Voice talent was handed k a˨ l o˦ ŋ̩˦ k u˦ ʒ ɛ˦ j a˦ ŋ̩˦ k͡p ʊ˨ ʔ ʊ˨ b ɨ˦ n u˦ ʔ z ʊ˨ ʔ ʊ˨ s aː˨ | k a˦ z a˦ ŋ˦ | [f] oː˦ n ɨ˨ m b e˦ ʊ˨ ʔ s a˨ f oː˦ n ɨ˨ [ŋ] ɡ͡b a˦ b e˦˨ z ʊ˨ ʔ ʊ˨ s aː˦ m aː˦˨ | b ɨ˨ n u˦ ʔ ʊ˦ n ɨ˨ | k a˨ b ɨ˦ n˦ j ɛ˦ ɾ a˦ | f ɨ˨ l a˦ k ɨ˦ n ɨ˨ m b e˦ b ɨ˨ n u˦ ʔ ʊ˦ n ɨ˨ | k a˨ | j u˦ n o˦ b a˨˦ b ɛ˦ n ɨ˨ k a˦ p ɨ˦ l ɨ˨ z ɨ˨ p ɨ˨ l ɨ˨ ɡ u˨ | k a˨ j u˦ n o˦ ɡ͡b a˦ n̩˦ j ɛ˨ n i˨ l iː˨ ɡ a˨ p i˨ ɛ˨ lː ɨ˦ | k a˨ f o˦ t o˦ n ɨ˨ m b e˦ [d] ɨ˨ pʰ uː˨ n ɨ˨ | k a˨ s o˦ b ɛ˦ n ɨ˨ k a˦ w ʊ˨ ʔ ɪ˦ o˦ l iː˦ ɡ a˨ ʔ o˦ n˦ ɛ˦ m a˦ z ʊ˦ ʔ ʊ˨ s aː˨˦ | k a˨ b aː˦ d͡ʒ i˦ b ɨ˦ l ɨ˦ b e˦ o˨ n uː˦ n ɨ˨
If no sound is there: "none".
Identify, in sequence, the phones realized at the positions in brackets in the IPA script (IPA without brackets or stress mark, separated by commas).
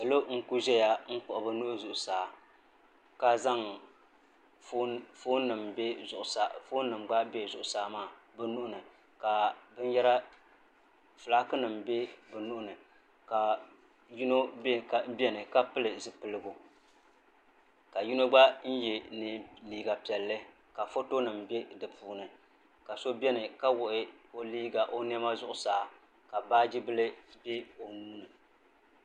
f, m, d